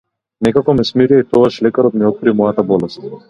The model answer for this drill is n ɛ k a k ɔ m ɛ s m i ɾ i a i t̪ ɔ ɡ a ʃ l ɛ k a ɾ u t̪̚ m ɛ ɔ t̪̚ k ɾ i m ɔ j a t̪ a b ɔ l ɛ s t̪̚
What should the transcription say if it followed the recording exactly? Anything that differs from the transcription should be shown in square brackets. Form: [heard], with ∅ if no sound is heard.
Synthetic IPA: n ɛ k a k ɔ m ɛ s m i ɾ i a i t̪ ɔ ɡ a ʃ l ɛ k a ɾ [ɔ] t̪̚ m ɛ ɔ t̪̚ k ɾ i m ɔ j a t̪ a b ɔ l ɛ s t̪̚